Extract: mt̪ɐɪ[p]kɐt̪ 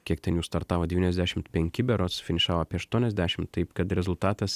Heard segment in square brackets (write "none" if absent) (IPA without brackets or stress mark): p